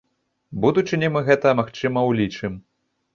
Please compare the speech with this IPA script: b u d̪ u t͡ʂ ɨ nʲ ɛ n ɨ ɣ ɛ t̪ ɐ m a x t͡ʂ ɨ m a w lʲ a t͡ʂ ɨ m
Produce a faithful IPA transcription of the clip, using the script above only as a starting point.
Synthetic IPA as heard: b u d̪ u t͡ʂ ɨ nʲ ɛ m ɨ ɣ ɛ t̪ ɐ m a x t͡ʂ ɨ m ɐ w lʲ i t͡ʂ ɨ m